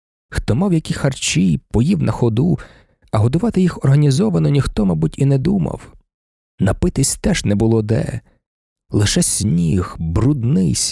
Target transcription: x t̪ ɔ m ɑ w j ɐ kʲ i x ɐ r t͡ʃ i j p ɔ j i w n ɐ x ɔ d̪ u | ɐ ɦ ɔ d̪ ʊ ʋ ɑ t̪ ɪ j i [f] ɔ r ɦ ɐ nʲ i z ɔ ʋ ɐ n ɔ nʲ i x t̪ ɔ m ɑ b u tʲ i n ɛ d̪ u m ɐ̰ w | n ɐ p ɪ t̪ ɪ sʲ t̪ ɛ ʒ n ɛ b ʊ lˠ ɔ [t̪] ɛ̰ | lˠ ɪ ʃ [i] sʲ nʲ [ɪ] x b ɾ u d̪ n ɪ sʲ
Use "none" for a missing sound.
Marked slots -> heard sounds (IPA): x, d̪, ɛ, i

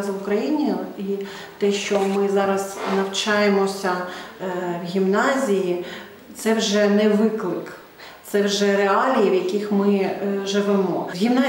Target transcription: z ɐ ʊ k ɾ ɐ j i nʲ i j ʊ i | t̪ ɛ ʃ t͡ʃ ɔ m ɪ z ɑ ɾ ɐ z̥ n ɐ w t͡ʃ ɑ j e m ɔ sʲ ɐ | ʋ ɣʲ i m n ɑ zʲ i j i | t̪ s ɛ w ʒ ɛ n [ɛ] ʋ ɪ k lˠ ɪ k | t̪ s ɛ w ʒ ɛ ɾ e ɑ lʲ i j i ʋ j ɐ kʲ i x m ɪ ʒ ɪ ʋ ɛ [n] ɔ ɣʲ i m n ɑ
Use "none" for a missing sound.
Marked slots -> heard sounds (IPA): ɛ, m

